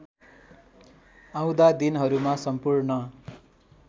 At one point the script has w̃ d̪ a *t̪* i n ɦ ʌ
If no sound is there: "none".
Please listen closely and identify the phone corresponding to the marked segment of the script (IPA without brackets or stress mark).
d̪